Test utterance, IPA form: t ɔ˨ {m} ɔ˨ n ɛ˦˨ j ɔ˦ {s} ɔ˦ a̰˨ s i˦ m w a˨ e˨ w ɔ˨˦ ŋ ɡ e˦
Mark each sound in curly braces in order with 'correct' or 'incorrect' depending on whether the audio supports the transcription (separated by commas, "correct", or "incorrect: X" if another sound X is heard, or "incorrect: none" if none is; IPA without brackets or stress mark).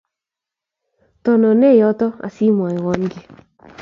incorrect: n, incorrect: t